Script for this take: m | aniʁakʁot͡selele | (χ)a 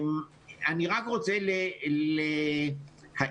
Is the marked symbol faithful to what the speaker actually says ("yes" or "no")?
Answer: no